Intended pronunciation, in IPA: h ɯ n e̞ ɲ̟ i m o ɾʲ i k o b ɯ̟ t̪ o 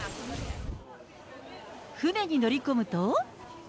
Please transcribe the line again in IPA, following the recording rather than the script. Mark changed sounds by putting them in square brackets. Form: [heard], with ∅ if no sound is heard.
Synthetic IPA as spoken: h ɯ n e̞ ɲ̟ i [n] o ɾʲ i k o [m] ɯ̟ t̪ o